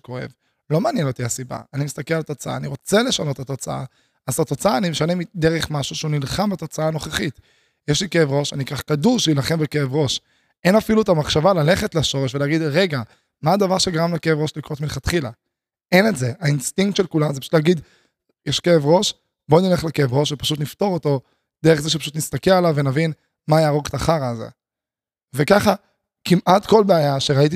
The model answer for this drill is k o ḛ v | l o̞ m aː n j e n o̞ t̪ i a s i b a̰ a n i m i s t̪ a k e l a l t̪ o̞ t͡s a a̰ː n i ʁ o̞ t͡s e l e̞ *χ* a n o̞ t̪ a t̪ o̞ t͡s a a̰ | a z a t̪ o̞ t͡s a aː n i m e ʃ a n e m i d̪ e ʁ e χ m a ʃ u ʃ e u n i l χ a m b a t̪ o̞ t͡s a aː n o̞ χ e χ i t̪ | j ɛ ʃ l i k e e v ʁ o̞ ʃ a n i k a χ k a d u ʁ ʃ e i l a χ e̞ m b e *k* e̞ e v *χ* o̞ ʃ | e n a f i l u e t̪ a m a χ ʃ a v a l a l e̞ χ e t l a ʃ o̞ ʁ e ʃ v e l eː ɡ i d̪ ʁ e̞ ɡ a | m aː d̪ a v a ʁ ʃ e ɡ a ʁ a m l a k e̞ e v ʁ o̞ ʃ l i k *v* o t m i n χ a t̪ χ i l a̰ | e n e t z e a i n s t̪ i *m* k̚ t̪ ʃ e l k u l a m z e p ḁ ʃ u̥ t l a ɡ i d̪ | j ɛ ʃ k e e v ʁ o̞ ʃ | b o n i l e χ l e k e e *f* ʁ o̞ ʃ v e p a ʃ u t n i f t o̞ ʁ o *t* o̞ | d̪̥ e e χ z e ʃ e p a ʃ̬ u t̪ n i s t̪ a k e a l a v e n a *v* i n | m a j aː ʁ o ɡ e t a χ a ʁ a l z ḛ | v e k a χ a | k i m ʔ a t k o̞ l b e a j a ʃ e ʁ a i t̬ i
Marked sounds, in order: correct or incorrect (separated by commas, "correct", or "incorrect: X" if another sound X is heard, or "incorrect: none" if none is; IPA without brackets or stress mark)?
incorrect: ʃ, correct, incorrect: ʁ, incorrect: ʁ, incorrect: ŋ, incorrect: v, correct, correct